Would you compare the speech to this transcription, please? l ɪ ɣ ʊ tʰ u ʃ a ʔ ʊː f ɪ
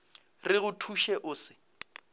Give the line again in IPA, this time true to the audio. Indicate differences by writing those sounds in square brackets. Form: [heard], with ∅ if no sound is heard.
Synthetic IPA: [r] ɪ ɣ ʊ tʰ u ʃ [ɛ] ʔ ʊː [s] ɪ